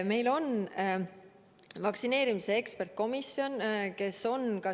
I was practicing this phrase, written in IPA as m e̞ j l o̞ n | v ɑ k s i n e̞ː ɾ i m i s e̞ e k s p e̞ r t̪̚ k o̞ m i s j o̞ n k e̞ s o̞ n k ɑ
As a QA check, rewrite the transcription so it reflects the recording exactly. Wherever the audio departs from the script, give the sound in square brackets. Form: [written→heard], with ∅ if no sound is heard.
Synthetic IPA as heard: m e̞ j l o̞ n | v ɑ k s i n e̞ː ɾ i m i s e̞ e k s p e̞ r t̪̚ k o̞ m i s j o̞ n k e̞ s o̞ n k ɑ